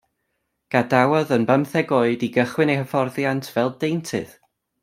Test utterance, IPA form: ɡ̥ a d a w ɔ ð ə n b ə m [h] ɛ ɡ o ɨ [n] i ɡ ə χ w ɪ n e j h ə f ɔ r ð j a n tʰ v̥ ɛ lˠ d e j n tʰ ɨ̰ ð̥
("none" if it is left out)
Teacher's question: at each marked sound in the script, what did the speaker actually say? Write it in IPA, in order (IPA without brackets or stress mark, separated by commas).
θ, d